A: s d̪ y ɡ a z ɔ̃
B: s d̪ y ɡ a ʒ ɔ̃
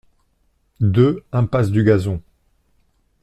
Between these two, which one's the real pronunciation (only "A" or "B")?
A